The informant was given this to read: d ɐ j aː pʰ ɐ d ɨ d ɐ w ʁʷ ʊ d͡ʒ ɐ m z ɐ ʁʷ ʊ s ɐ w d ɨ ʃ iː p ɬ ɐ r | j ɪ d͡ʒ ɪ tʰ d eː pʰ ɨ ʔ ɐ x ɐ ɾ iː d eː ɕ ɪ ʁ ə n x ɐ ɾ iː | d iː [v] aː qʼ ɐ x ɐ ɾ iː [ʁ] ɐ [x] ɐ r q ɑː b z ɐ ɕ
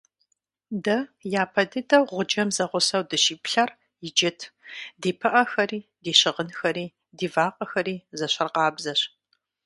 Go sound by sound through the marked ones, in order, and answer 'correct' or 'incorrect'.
correct, incorrect: z, incorrect: ɕ

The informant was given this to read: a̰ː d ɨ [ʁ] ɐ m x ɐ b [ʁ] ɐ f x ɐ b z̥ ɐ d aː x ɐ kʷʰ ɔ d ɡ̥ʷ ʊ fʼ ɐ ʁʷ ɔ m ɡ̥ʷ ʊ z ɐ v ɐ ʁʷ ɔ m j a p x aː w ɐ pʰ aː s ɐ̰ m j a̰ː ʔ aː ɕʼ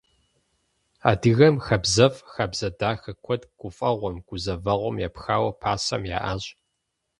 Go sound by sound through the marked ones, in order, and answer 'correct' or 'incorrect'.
incorrect: ɣ, incorrect: z

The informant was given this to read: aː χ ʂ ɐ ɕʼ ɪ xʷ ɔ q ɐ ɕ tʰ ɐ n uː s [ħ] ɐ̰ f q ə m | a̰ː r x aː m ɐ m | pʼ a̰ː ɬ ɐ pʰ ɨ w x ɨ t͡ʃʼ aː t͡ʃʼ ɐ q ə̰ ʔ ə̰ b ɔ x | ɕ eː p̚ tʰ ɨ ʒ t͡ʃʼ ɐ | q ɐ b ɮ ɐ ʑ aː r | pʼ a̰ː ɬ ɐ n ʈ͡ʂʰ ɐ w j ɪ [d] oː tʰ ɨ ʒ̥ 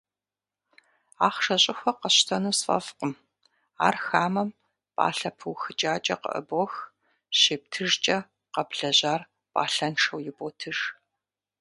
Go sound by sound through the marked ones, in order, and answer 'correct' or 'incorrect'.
incorrect: f, incorrect: b

